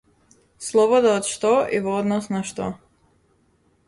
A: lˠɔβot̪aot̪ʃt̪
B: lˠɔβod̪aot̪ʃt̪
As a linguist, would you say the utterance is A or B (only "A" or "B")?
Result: B